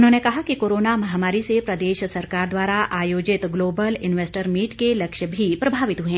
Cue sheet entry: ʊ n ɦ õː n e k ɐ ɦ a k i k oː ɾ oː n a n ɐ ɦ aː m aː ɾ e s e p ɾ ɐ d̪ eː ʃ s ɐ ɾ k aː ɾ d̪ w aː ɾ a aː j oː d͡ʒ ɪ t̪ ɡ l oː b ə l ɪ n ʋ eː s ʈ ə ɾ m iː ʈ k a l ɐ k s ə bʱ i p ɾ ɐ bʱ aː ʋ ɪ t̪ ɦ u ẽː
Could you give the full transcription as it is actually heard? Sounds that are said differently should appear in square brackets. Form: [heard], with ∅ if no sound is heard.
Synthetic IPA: ʊ n ɦ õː n e k ɐ ɦ a k i k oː ɾ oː n a [m] ɐ ɦ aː m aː ɾ [i] s e p ɾ ɐ d̪ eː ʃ s ɐ ɾ k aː ɾ d̪ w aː ɾ a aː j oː d͡ʒ ɪ t̪ ɡ l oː b ə l ɪ n ʋ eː s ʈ ə ɾ m iː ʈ k [e] l ɐ k [ʃ] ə bʱ i p ɾ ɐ bʱ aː ʋ ɪ t̪ ɦ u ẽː

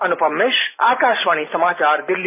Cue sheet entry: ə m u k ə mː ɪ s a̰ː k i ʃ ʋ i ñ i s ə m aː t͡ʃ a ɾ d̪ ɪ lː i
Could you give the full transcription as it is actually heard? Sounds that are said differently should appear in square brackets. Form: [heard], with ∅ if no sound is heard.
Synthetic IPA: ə [n] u [p] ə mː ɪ [ʃ] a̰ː k [a] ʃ ʋ [a] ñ i s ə m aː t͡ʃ a ɾ d̪ ɪ lː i

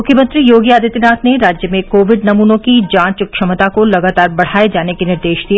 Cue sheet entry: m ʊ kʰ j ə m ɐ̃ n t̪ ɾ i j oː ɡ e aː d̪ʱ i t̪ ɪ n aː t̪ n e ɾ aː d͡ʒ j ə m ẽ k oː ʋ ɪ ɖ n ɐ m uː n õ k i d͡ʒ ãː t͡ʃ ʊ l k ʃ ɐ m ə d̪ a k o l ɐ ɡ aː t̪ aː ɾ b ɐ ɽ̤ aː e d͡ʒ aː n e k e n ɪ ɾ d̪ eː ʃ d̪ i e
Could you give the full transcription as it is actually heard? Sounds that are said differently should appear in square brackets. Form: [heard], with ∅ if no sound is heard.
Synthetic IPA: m ʊ kʰ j ə m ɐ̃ n t̪ ɾ i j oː ɡ [i] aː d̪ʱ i t̪ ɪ n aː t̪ n e ɾ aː d͡ʒ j ə m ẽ k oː ʋ ɪ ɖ n ɐ m uː n õ k i d͡ʒ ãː t͡ʃ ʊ [∅] k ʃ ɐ m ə [t̪] a k o l ɐ ɡ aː t̪ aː ɾ b ɐ ɽ̤ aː e d͡ʒ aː n e k e n ɪ ɾ d̪ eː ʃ d̪ i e

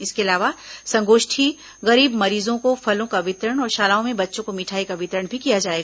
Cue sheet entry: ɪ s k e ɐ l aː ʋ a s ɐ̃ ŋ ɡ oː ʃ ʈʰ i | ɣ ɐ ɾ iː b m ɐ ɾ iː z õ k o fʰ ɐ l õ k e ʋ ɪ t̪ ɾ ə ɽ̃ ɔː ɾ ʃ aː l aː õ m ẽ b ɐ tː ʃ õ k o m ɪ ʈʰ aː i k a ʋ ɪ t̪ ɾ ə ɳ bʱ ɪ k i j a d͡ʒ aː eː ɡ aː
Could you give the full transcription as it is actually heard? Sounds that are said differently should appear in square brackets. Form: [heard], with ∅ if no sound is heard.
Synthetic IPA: ɪ s k e ɐ l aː ʋ a s ɐ̃ ŋ ɡ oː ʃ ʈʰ i | ɣ ɐ ɾ iː b m ɐ ɾ iː z õ k o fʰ ɐ l õ k [a] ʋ ɪ t̪ ɾ ə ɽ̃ ɔː ɾ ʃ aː l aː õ m ẽ b ɐ tː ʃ õ k o m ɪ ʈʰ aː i k a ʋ ɪ t̪ ɾ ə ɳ bʱ [i] k i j a d͡ʒ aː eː ɡ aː

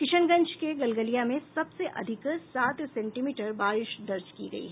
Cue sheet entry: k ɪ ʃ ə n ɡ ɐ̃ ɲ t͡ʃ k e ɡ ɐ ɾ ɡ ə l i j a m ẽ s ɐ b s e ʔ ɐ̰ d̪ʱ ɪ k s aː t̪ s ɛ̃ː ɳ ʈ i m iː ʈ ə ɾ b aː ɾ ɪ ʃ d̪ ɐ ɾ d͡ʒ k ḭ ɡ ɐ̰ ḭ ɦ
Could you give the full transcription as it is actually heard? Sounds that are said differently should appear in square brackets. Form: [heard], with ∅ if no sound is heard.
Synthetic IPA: k ɪ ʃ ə n ɡ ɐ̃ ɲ t͡ʃ k e ɡ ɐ [l] ɡ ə l i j a m ẽ s ɐ b s e ʔ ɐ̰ d̪ʱ ɪ k s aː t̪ s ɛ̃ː ɳ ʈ i m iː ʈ ə ɾ b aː ɾ ɪ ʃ d̪ ɐ ɾ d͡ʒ k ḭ ɡ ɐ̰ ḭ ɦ

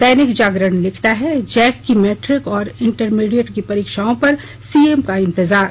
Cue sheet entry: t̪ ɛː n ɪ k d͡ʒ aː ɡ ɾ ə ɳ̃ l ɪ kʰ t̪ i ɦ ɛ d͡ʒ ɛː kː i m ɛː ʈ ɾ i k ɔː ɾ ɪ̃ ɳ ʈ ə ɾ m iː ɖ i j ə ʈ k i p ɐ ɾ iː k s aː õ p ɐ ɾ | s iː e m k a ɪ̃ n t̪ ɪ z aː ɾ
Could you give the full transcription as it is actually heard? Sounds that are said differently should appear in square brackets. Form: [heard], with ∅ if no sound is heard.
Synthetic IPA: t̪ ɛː n ɪ k d͡ʒ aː ɡ ɾ ə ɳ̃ l ɪ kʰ t̪ [a] ɦ ɛ d͡ʒ ɛː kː i m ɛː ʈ ɾ [ɪ] k ɔː ɾ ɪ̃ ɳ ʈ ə ɾ m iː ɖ i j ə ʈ k i p ɐ ɾ iː k [ʃ] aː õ p ɐ ɾ | s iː e m k a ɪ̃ n t̪ ɪ z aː ɾ

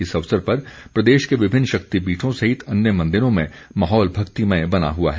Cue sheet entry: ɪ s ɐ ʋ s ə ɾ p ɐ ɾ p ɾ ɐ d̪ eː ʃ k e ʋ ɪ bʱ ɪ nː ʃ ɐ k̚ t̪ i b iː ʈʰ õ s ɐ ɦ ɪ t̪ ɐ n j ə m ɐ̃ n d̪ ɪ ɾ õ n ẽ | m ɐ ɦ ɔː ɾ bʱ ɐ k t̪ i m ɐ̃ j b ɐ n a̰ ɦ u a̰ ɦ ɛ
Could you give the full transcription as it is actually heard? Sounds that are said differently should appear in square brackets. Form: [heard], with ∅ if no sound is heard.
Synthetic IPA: ɪ s ɐ ʋ s ə ɾ p ɐ ɾ p ɾ ɐ d̪ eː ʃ k e ʋ ɪ bʱ ɪ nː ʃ ɐ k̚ t̪ i b iː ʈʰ õ s ɐ ɦ ɪ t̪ ɐ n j ə m ɐ̃ n d̪ ɪ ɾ õ [m] ẽ | m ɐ ɦ ɔː [l] bʱ ɐ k t̪ i m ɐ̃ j b ɐ n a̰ ɦ u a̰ ɦ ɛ

